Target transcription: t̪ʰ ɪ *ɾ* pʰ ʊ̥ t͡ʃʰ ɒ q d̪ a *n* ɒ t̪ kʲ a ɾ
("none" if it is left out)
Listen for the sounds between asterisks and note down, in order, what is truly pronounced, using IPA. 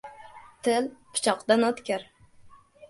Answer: l, n

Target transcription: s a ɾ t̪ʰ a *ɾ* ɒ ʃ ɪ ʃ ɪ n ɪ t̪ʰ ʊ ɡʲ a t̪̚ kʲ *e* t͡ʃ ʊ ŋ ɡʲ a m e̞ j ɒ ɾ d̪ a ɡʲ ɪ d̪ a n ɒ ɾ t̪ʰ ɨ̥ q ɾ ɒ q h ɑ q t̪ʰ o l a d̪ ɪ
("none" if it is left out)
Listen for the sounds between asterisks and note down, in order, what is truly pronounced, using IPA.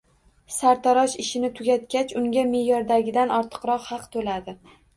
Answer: ɾ, a

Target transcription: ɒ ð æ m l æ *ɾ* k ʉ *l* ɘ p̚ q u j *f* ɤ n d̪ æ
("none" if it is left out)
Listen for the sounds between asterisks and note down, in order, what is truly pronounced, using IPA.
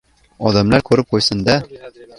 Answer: ɾ, ɾ, s

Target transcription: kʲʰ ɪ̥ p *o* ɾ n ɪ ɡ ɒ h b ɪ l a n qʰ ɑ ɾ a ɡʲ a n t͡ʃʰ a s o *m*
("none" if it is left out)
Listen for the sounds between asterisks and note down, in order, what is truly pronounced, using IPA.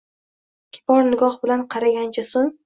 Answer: ɒ, ŋ

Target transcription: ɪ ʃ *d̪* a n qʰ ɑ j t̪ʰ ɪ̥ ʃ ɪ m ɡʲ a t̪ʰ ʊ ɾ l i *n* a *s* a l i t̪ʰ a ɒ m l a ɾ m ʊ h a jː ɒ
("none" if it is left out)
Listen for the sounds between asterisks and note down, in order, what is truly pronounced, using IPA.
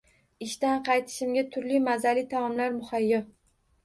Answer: t̪, m, z

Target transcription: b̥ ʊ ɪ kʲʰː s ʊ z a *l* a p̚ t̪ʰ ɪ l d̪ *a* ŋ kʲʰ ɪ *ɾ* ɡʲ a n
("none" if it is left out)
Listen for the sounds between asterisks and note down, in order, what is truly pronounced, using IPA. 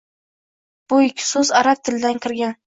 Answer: ɾ, a, ɾ

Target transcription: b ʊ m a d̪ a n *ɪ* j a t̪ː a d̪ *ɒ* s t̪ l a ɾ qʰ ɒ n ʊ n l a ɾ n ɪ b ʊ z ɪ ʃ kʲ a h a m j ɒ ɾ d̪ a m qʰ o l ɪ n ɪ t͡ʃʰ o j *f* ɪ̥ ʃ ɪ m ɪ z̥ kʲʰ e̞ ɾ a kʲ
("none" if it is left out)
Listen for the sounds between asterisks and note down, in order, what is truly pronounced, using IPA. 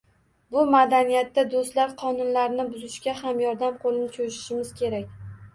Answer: i, o, ʃ

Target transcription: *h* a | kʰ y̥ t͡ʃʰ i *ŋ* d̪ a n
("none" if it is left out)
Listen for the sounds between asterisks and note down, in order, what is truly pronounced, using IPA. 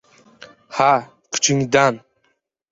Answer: h, ŋ

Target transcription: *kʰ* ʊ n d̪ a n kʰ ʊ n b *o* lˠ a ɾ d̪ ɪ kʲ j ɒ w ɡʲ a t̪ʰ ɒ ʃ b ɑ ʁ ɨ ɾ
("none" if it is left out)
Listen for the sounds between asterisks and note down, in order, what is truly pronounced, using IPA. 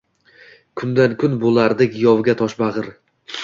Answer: kʰ, o

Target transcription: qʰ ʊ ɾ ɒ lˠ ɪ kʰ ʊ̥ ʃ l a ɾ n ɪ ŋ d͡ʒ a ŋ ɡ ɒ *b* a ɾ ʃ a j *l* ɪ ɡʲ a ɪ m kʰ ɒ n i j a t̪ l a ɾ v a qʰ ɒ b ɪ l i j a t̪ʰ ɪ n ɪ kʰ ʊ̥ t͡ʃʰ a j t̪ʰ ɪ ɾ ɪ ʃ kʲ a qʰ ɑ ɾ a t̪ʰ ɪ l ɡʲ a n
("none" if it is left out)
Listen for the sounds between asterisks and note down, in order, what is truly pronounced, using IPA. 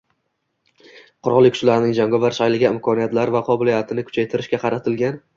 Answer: v, l

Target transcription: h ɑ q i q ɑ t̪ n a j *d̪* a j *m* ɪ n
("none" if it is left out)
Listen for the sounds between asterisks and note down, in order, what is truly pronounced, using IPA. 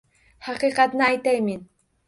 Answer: t̪, m

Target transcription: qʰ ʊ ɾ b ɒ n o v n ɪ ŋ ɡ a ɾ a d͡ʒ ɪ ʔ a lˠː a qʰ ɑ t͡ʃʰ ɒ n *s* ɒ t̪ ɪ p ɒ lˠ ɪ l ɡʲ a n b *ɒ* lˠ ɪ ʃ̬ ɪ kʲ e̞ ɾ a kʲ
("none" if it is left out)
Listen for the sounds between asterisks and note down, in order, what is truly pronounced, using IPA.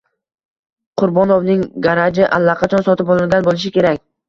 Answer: s, o

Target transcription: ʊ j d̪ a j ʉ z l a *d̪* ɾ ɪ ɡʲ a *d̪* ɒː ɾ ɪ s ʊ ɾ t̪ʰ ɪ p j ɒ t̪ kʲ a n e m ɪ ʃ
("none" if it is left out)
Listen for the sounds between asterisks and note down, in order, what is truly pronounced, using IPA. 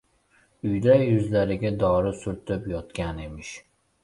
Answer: none, d̪

